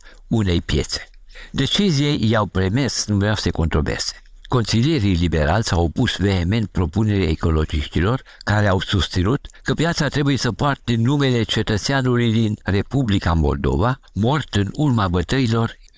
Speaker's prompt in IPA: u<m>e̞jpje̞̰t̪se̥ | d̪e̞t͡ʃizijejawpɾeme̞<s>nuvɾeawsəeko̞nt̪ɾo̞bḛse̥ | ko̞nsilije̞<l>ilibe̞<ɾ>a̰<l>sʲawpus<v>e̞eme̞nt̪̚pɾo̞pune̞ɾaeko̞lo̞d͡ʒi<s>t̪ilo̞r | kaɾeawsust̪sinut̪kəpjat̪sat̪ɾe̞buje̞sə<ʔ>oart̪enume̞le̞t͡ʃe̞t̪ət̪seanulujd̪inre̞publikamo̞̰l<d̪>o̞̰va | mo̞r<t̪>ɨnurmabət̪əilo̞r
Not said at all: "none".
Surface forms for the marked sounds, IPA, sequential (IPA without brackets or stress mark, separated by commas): n, s, ɾ, ɾ, l, v, ʃ, p, d̪, t̪